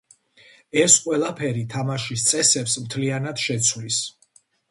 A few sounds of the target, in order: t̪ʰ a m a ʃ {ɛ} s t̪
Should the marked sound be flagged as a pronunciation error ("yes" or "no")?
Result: yes